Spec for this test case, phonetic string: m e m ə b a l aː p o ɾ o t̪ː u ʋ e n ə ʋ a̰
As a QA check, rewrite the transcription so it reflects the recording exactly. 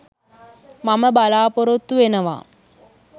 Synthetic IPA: m a m ə b a l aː p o ɾ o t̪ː u ʋ e n ə ʋ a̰

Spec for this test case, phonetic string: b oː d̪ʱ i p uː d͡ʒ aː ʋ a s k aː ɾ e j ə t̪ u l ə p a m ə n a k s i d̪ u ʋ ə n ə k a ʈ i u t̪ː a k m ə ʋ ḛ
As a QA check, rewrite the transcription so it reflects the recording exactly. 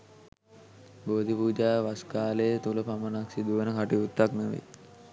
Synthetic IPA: b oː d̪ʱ i p uː d͡ʒ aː ʋ a s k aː l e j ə t̪ u l ə p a m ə n a k s i d̪ u ʋ ə n ə k a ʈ i u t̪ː a k n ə ʋ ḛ

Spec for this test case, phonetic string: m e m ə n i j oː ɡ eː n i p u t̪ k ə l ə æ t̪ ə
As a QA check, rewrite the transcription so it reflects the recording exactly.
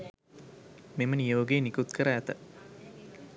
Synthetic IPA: m e m ə n i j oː ɡ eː n i k u t̪ k ə ɾ ə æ t̪ ə

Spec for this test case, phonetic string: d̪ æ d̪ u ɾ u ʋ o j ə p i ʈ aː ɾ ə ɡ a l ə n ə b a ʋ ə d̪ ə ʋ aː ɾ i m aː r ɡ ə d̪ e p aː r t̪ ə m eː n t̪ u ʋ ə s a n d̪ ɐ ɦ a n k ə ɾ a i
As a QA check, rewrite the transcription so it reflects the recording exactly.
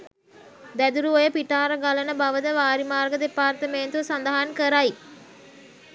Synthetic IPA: d̪ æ d̪ u ɾ u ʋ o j ə p i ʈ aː ɾ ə ɡ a l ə n ə b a ʋ ə d̪ ə ʋ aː ɾ i m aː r ɡ ə d̪ e p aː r t̪ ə m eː n t̪ u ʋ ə s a n d̪ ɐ ɦ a n k ə ɾ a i

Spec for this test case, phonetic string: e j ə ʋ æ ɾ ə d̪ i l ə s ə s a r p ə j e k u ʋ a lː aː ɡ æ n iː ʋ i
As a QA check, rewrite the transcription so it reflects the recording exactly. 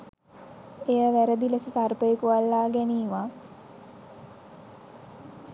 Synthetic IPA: e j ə ʋ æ ɾ ə d̪ i l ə s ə s a r p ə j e k u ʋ a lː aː ɡ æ n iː ʋ a

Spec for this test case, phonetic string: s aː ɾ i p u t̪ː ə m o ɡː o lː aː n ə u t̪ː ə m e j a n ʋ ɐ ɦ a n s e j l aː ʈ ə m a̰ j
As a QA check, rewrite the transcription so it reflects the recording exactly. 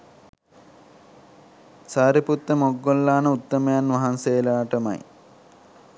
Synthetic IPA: s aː ɾ i p u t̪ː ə m o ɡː o lː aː n ə u t̪ː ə m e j a n ʋ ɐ ɦ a n s e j l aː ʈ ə m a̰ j

